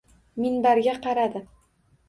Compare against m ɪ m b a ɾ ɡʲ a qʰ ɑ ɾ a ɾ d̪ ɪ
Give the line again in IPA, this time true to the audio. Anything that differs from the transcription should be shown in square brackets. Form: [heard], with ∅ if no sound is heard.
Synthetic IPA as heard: m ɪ [n] b a ɾ ɡʲ a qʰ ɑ ɾ a [∅] d̪ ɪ